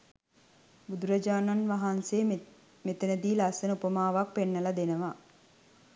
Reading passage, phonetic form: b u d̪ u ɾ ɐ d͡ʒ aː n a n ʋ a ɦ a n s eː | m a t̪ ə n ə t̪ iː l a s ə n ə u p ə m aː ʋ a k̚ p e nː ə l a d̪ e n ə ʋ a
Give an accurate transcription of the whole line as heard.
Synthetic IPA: b u d̪ u ɾ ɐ d͡ʒ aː n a n ʋ a ɦ a n s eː | m e t̪ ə n ə d̪ iː l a s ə n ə u p ə m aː ʋ a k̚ p e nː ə l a d̪ e n ə ʋ a